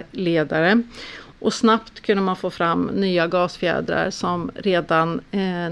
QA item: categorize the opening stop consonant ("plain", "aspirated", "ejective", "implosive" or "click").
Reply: plain